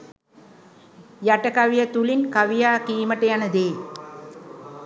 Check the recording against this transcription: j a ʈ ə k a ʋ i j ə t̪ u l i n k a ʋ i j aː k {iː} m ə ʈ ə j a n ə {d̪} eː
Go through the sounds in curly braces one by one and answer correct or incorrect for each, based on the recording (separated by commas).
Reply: correct, correct